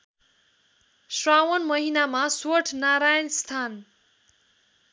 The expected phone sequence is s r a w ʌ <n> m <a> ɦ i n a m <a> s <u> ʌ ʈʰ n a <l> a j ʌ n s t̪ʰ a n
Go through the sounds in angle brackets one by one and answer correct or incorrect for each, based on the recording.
correct, incorrect, correct, incorrect, incorrect

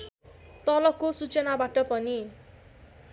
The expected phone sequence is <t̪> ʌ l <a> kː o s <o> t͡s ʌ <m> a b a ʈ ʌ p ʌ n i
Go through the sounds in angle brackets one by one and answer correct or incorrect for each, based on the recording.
correct, incorrect, incorrect, incorrect

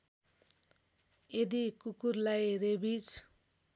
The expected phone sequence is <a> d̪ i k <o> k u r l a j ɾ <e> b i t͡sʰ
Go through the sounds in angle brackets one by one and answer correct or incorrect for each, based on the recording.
incorrect, incorrect, correct

